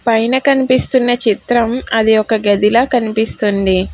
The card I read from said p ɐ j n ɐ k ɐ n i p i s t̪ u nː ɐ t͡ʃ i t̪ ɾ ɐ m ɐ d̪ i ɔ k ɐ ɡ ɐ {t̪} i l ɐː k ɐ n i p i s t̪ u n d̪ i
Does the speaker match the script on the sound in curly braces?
no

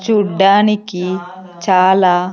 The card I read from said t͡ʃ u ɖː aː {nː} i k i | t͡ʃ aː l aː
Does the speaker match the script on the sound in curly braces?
no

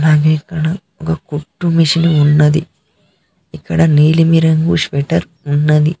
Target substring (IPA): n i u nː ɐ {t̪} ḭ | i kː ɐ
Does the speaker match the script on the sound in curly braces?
no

